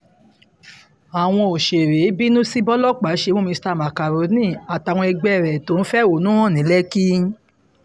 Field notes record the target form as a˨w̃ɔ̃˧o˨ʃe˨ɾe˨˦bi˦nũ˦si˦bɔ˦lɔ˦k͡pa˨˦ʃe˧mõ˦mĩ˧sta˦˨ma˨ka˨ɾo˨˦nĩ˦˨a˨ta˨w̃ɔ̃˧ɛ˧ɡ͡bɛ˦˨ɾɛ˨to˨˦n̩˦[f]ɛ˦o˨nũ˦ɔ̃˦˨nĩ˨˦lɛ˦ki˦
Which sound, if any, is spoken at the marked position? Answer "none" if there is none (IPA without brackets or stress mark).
f